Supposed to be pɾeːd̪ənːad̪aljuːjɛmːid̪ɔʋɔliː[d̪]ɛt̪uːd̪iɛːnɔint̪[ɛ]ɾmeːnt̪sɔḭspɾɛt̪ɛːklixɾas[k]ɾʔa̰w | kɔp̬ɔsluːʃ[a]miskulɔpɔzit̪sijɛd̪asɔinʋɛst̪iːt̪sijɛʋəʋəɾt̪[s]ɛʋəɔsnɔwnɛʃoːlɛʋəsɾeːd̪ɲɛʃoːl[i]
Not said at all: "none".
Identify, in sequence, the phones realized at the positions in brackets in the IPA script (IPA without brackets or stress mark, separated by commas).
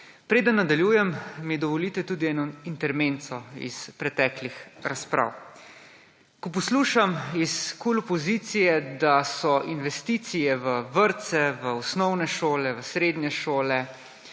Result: t̪, ɛ, p, a, s, ɛ